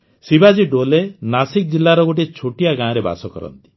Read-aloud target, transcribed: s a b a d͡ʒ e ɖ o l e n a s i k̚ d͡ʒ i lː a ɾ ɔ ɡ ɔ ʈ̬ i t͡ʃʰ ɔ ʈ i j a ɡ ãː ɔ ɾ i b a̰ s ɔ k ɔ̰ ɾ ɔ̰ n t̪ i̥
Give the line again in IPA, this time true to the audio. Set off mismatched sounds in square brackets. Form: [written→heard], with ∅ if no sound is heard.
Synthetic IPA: s [a→i] b a d͡ʒ [e→i] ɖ o l e n a s i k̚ d͡ʒ i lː a ɾ ɔ ɡ [ɔ→o] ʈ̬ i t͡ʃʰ [ɔ→o] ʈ i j a ɡ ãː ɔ ɾ [i→e] b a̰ s ɔ k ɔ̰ ɾ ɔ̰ n t̪ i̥